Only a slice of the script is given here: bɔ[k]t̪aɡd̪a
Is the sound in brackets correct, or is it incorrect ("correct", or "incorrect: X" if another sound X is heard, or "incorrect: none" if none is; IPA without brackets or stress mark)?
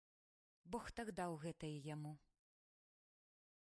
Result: incorrect: x